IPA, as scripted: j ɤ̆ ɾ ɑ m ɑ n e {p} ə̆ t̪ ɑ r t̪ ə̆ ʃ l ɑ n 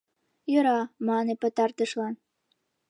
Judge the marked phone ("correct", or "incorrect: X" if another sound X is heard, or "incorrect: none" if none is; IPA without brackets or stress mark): correct